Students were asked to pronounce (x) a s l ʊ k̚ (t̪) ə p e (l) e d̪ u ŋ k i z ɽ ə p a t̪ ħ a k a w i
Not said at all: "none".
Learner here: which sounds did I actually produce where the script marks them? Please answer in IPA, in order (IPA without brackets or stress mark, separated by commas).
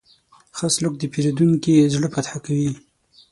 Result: x, d̪, ɾ